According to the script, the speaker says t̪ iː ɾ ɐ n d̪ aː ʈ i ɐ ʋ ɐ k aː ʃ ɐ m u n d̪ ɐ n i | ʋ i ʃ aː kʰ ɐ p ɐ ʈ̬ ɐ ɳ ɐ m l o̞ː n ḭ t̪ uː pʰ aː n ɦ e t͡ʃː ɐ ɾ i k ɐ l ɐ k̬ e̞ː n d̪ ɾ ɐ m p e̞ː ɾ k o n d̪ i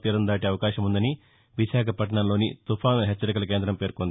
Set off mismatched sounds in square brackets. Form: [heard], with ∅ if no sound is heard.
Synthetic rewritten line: t̪ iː ɾ ɐ n d̪ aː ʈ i ɐ ʋ ɐ k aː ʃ ɐ m u n d̪ ɐ n i | ʋ i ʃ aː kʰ ɐ p ɐ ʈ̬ ɐ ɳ ɐ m l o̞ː n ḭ t̪ [u] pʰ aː n ɦ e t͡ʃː ɐ ɾ i k ɐ l ɐ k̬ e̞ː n d̪ ɾ ɐ m p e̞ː ɾ k o n d̪ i